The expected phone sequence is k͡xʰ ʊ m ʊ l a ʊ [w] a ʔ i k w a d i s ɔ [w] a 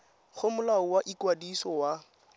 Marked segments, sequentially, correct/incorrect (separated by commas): correct, correct